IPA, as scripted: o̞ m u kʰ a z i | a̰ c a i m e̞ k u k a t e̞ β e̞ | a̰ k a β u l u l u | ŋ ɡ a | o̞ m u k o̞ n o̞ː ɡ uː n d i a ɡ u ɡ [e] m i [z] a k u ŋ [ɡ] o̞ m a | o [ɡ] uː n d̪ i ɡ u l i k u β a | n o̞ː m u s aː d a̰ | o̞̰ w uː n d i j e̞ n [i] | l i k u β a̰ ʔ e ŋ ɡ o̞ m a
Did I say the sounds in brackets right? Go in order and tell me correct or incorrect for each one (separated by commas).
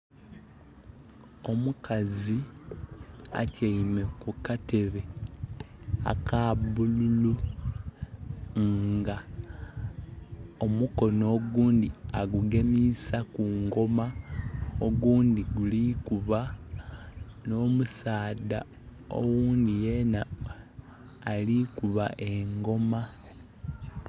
correct, incorrect, correct, correct, incorrect